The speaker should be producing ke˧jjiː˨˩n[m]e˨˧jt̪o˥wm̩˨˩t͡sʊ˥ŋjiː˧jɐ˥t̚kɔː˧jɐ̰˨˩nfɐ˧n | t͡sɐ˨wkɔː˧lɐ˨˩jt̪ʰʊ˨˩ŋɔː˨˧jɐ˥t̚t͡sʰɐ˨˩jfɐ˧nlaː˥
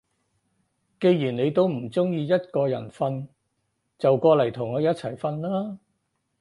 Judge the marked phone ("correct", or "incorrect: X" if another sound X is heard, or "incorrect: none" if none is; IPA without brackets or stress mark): incorrect: n